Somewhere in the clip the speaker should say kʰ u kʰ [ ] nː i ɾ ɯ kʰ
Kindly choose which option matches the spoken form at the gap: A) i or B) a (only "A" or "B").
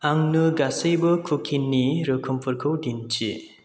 A